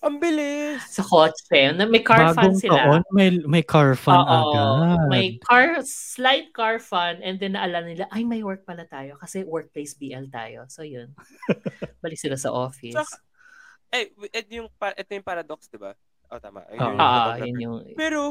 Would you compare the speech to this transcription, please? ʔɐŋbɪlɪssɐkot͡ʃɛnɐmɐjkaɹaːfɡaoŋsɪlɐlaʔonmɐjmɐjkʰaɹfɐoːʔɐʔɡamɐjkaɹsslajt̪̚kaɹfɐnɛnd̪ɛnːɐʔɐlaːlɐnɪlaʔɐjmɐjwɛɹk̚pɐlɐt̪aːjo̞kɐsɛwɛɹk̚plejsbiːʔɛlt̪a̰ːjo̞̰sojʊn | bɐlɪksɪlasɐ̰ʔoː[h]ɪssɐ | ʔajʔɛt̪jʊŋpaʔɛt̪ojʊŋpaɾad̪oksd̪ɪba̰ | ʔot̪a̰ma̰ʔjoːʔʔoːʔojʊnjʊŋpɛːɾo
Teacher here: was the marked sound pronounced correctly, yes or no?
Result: no